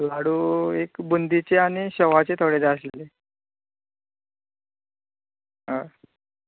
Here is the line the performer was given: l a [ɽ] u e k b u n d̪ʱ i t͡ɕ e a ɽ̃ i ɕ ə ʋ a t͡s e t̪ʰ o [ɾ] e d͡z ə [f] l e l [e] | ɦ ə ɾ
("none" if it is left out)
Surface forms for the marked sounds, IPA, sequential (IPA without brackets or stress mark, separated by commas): ɽ, ɽ, s, e